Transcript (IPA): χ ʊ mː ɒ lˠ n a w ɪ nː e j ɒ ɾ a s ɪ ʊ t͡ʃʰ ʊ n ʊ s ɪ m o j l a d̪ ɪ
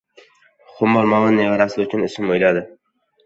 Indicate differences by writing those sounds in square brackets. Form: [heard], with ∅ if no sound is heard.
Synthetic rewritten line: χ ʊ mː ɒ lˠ [m] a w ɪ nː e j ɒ ɾ a s ɪ ʊ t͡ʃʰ ʊ n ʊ s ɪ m o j l a d̪ ɪ